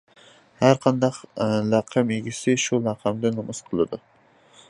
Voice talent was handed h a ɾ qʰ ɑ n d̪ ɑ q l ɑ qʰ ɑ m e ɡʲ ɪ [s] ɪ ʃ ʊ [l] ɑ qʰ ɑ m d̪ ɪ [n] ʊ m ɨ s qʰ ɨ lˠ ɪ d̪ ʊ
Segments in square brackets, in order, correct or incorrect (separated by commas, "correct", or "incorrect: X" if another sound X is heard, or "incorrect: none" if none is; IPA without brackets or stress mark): correct, correct, correct